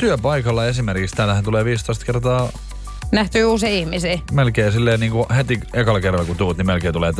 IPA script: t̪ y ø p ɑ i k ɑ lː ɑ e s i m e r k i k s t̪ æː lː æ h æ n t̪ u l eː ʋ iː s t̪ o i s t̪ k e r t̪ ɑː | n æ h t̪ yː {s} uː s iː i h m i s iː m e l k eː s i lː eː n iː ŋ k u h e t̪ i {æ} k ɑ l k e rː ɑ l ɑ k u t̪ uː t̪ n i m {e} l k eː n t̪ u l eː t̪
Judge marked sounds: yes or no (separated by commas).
no, no, yes